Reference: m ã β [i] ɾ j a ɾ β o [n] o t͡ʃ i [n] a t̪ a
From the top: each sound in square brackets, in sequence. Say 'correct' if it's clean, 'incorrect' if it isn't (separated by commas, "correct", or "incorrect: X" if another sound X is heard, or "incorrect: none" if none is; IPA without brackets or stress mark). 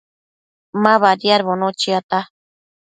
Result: incorrect: a, correct, incorrect: none